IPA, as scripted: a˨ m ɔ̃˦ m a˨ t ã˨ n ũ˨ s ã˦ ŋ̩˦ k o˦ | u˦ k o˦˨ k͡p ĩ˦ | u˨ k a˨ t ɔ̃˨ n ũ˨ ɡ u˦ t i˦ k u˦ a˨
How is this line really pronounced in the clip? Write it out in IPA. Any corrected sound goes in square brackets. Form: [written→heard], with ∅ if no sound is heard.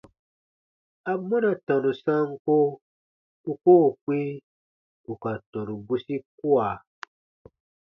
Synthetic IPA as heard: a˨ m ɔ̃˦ [m→n] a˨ t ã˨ n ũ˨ s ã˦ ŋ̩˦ k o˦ | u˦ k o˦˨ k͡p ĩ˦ | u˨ k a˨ t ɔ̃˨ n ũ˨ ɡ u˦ [t→s] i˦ k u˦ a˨